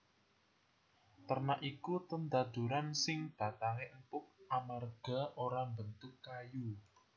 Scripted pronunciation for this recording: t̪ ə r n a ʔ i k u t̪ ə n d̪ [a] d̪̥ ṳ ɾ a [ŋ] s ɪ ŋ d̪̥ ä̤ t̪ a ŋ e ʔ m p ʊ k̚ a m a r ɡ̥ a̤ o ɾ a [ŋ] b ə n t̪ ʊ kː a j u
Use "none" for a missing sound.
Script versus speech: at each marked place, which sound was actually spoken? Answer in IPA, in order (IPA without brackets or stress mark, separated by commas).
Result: a, n, m